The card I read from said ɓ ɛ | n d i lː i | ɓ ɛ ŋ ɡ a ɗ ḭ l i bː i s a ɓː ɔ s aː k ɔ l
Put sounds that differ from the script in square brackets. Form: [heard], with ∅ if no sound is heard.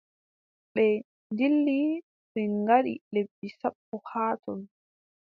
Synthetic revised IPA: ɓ ɛ | n d i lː i | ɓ ɛ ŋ ɡ a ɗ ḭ l [e] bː i s a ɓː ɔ [h] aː [t] ɔ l